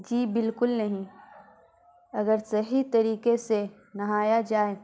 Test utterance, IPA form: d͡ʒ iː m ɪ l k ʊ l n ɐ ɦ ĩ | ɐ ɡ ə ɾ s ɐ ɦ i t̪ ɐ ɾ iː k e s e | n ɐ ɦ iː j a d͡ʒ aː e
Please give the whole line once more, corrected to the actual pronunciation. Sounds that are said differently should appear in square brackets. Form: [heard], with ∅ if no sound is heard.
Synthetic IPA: d͡ʒ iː [b] ɪ l k ʊ l n ɐ ɦ ĩ | ɐ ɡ ə ɾ s ɐ ɦ i t̪ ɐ ɾ iː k e s e | n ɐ ɦ [aː] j a d͡ʒ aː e